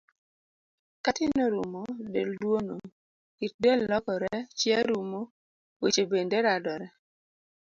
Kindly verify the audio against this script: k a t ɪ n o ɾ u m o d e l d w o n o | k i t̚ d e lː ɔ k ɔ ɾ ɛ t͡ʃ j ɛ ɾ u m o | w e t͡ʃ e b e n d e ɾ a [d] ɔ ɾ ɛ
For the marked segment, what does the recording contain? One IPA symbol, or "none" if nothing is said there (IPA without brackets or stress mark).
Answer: d